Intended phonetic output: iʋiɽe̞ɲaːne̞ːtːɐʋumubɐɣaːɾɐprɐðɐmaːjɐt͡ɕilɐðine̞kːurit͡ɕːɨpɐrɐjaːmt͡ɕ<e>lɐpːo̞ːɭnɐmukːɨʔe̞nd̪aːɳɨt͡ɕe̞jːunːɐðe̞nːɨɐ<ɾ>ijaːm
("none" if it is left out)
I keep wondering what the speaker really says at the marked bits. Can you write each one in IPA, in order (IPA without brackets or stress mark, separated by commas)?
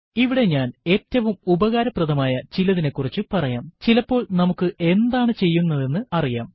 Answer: i, r